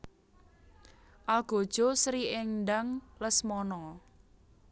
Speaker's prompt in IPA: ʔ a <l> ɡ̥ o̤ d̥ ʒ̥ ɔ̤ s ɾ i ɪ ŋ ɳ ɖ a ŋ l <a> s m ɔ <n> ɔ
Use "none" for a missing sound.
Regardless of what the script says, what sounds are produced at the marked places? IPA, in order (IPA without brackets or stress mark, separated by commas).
l, ə, n